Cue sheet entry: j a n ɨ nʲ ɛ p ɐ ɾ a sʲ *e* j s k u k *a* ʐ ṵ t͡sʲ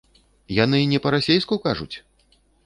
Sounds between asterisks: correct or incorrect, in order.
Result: correct, correct

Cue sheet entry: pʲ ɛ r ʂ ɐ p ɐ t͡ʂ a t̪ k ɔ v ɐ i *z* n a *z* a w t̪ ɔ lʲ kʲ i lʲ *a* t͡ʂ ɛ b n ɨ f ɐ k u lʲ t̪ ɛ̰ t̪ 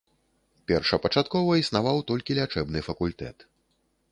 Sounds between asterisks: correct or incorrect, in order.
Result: incorrect: s, incorrect: v, correct

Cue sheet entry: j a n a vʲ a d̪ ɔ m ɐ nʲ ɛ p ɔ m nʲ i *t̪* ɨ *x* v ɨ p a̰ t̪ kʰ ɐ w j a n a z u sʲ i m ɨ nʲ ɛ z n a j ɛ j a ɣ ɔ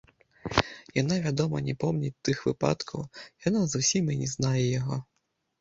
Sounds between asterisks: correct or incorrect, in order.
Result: correct, correct

